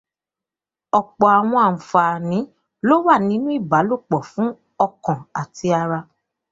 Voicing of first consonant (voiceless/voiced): voiceless